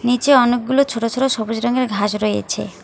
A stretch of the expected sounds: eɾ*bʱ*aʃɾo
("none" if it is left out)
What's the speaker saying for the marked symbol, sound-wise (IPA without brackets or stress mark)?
ɡʱ